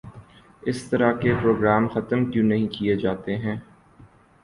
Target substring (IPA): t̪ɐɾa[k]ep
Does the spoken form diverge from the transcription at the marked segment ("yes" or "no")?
no